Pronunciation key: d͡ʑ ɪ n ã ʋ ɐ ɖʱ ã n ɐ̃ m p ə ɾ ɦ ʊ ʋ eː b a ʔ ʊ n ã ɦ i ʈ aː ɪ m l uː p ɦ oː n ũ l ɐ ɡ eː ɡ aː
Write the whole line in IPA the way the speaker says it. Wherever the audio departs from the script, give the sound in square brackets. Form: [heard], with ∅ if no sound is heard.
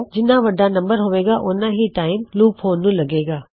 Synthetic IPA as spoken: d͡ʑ ɪ n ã ʋ ɐ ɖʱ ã n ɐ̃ m [b] ə ɾ ɦ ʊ ʋ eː [ɡ] a ʔ ʊ n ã ɦ i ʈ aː ɪ m l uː p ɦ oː n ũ l ɐ ɡ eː ɡ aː